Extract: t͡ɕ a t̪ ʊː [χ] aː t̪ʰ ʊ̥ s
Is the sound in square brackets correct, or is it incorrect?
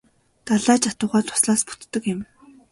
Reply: incorrect